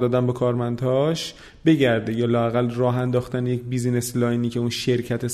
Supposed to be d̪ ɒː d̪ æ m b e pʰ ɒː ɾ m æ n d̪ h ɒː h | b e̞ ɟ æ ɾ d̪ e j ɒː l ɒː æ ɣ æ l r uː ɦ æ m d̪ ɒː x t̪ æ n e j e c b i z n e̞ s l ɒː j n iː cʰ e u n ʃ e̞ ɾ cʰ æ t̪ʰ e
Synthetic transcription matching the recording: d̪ ɒː d̪ æ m b e kʰ ɒː ɾ m æ n d̪ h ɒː ʃ | b e̞ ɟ æ ɾ d̪ e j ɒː l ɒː æ ɣ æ l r ɒː ɦ æ n d̪ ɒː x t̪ æ n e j e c b i z n e̞ s l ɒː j n iː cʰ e u n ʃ e̞ ɾ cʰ æ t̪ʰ e